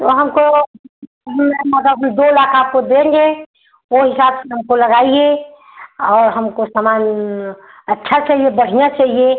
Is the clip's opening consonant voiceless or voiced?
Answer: voiceless